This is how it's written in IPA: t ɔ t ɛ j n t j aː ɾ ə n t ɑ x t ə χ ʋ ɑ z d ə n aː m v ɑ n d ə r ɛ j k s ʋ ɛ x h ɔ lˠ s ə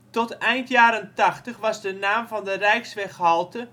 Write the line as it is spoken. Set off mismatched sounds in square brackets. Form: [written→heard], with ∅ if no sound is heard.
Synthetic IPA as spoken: t ɔ t ɛ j n t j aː ɾ ə n t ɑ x t ə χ ʋ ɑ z d ə n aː m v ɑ n d ə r ɛ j k s ʋ ɛ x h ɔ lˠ [s→t] ə